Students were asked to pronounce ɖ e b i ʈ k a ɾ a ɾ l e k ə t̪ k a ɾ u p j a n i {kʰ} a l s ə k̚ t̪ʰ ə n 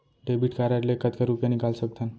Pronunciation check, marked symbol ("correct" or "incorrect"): incorrect